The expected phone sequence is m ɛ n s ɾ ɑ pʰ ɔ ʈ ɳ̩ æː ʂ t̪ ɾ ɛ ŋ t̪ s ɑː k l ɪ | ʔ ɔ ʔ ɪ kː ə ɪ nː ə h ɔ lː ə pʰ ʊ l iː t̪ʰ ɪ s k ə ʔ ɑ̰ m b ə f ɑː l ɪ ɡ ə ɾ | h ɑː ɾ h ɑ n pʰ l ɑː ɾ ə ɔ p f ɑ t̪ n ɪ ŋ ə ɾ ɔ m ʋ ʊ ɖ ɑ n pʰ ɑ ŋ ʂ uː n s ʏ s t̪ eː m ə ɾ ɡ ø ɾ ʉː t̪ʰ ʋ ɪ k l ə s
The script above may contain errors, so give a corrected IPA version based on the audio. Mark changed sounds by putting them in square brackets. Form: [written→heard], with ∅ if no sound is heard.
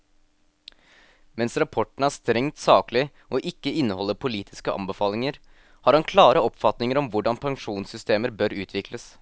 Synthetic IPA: m ɛ n s ɾ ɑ pʰ ɔ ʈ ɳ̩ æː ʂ t̪ ɾ ɛ ŋ t̪ s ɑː k l ɪ | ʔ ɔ ʔ ɪ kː ə ɪ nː ə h ɔ lː ə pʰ ʊ l iː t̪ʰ ɪ s k ə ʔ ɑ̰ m b ə f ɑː l ɪ [ɡ→ŋ] ə ɾ | h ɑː ɾ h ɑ n [pʰ→kʰ] l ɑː ɾ ə ɔ p f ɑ t̪ n ɪ ŋ ə ɾ ɔ m ʋ ʊ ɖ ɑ n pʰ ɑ ŋ ʂ uː n s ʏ s t̪ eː m ə ɾ [ɡ→b] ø ɾ ʉː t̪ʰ ʋ ɪ k l ə s